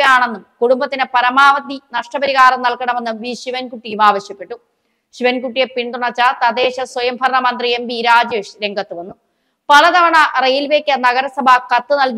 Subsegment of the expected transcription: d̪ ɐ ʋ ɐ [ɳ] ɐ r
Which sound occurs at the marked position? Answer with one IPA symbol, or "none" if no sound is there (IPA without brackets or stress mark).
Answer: ɳ